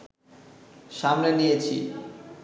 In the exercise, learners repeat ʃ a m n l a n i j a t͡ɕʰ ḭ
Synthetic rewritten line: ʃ a m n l e n i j e t͡ɕʰ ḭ